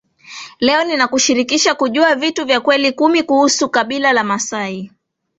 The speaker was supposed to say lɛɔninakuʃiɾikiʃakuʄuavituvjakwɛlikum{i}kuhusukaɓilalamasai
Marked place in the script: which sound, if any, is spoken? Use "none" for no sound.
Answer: i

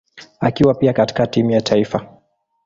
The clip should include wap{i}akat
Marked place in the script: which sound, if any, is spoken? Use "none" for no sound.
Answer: i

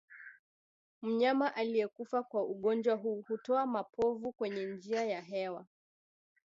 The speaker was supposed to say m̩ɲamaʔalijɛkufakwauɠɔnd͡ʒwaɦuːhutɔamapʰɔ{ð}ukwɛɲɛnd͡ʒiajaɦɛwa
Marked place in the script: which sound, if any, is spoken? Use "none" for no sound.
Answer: v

